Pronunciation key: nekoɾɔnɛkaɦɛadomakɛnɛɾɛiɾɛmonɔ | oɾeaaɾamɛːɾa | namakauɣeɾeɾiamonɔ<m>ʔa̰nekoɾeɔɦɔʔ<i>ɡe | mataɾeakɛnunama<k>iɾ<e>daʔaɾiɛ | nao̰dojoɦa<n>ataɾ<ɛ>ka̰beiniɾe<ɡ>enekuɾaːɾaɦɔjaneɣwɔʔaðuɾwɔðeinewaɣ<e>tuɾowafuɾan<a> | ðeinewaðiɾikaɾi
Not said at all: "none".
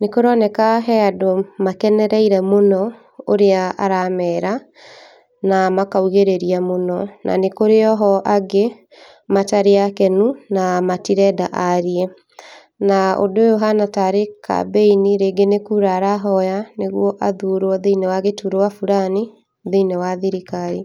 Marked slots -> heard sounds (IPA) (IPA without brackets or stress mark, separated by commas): n, a, t, ɛ, n, e, ɡ, e, i